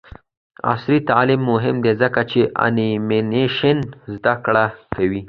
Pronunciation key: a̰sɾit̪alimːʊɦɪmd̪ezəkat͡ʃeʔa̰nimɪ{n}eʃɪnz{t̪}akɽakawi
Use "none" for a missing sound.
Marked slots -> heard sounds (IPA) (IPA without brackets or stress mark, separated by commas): n, d̪